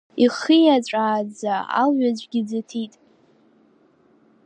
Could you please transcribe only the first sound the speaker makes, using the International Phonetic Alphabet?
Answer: i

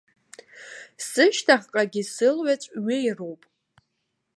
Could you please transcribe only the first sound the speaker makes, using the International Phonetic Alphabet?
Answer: s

